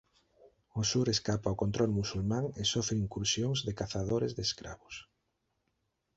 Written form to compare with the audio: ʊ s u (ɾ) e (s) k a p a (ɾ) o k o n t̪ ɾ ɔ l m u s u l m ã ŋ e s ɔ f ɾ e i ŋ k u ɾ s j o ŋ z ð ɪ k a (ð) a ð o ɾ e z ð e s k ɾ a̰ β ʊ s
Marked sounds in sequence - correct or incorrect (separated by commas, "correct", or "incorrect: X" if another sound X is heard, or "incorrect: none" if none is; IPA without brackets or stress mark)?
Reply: correct, correct, incorrect: none, incorrect: θ